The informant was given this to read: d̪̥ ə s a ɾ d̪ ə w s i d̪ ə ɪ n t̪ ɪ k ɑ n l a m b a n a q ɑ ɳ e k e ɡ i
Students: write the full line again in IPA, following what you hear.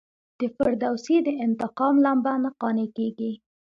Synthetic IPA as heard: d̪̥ ə f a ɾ d̪ a w s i d̪ ə ɪ n t̪ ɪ q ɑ m l a m b a n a q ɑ n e k e ɡ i